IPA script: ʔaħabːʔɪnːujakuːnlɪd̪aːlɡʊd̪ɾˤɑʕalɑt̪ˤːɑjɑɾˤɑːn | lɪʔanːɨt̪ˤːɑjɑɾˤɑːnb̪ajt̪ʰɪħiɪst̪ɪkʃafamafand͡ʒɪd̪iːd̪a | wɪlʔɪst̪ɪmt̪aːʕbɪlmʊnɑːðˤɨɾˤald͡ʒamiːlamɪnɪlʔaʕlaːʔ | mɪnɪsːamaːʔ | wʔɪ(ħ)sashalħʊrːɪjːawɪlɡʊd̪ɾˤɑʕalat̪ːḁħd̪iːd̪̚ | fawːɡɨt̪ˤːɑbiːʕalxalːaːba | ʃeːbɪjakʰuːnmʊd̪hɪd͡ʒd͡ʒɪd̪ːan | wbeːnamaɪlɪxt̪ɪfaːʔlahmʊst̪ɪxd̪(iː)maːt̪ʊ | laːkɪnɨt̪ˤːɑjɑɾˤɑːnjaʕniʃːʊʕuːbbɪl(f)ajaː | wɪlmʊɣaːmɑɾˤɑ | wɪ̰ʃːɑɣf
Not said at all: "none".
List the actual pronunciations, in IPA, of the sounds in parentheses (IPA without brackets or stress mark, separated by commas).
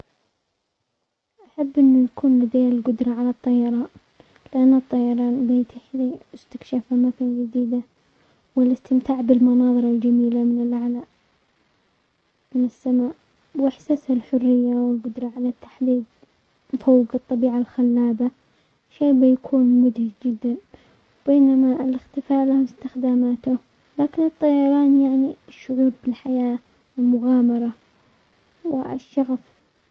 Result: ħ, aː, ħ